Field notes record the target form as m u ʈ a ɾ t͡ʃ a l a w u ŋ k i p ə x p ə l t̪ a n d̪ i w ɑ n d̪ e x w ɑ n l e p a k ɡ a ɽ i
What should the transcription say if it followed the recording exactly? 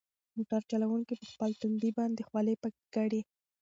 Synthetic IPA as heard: m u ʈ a ɾ t͡ʃ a l a w u ŋ k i p ə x p ə l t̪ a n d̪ i b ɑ n d̪ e x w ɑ l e p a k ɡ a ɽ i

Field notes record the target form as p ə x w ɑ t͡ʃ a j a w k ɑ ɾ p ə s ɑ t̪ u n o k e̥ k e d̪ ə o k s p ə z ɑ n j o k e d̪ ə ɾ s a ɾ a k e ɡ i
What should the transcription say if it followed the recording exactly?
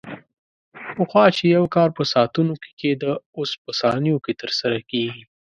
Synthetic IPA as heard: p ə x w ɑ t͡ʃ e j a w k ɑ ɾ p ə s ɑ t̪ u n o k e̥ k e d̪ ə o s p ə s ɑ n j o k e t̪ ə ɾ s a ɾ a k e ɡ i

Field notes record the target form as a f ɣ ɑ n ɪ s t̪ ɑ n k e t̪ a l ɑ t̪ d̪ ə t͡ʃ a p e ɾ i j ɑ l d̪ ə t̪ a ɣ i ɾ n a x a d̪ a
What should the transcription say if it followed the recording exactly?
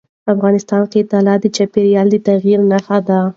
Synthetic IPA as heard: a f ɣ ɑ n ɪ s t̪ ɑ n k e t̪ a l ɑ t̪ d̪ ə t͡ʃ a p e ɾ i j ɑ l d̪ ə t̪ a ɣ i ɾ n a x a d̪ a

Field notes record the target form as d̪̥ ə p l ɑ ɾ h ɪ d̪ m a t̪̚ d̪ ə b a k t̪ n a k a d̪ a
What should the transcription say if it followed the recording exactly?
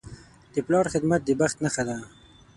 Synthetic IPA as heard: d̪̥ ə p l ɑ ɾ x ɪ d̪ m a t̪̚ d̪ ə b a x t̪ n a x a d̪ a

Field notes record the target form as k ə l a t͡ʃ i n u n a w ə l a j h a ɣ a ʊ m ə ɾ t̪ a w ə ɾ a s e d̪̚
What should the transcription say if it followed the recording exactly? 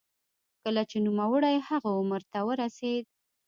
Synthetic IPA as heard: k ə l a t͡ʃ e n u m a w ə ɽ a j h a ɣ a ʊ m ə ɾ t̪ a w ə ɾ a s e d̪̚

